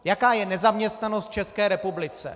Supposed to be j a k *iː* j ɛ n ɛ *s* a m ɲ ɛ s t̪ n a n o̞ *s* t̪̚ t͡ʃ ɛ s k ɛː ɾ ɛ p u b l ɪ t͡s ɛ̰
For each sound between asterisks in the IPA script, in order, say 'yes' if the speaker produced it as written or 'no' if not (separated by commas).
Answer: no, no, yes